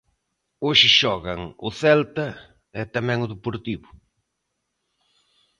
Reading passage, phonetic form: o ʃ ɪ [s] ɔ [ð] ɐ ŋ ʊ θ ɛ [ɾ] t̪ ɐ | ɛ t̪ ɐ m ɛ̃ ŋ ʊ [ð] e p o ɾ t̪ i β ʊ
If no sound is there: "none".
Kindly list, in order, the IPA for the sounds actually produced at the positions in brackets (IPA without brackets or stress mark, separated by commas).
ʃ, ɣ, l, ð